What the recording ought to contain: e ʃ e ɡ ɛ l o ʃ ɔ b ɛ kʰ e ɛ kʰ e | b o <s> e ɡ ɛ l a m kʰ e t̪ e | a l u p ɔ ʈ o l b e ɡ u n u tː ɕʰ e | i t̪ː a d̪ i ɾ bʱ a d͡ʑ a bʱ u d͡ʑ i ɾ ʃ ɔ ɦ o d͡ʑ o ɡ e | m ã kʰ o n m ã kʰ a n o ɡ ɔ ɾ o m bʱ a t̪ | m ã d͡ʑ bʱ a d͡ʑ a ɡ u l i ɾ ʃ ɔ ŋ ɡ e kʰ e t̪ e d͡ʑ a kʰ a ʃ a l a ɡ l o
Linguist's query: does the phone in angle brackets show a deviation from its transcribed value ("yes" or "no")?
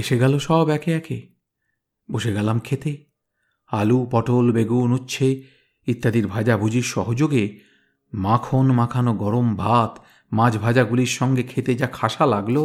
yes